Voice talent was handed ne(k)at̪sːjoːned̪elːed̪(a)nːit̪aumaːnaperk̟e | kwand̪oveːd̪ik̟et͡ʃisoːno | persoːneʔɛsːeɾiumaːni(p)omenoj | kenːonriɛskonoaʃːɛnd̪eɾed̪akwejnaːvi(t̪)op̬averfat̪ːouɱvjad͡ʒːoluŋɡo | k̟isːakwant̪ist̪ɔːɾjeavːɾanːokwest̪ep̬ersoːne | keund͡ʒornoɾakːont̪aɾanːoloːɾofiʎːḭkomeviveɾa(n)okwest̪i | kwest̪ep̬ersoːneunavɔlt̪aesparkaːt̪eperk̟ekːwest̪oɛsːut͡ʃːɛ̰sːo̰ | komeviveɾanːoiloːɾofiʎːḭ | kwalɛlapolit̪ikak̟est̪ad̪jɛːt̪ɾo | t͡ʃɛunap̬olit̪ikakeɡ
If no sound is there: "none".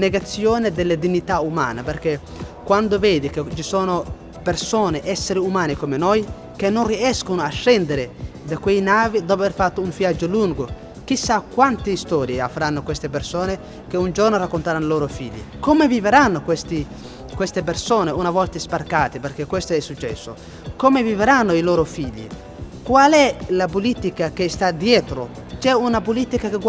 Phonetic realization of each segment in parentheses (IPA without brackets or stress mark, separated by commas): ɡ, i, k, d̪, nː